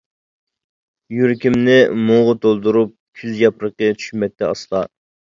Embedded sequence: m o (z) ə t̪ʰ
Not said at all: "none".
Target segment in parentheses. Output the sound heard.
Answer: ʁ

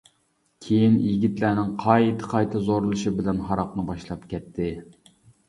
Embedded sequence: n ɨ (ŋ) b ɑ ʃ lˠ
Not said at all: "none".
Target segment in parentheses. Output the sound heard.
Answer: none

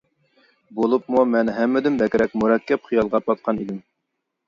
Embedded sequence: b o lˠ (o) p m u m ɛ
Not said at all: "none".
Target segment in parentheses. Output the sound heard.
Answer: u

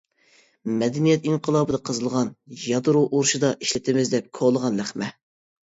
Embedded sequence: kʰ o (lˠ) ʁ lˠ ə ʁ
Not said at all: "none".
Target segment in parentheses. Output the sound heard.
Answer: none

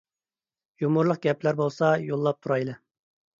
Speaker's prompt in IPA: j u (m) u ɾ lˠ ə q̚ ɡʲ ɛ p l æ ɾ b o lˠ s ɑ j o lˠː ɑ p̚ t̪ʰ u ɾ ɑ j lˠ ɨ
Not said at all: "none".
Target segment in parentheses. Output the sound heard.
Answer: m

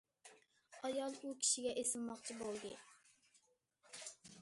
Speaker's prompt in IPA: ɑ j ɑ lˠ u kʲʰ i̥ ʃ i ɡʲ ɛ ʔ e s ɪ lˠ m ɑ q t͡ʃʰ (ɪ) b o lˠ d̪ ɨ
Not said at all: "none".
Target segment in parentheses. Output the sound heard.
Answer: i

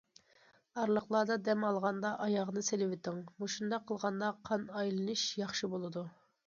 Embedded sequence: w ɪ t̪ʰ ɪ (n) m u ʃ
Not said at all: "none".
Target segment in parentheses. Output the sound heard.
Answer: ŋ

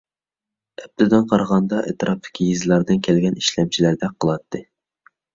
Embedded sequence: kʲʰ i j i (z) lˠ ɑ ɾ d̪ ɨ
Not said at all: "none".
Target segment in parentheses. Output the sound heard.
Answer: z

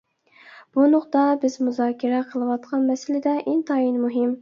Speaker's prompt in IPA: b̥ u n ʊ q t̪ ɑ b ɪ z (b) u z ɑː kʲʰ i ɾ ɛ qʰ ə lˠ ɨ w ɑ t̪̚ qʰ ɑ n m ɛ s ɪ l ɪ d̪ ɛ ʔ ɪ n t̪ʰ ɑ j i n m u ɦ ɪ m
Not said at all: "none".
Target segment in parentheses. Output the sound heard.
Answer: m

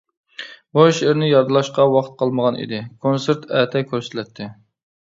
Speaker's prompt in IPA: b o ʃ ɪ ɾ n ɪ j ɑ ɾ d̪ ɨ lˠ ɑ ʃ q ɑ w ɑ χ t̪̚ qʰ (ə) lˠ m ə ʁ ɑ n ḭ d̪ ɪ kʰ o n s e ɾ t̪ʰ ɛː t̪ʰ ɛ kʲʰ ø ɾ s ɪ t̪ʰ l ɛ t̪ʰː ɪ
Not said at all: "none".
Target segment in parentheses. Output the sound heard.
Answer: ɑ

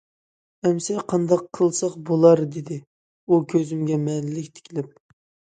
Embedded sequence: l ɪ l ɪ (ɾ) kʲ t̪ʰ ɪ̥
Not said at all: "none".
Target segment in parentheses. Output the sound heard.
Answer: none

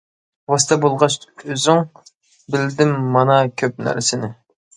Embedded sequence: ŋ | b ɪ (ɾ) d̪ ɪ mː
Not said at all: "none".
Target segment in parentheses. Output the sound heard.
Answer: l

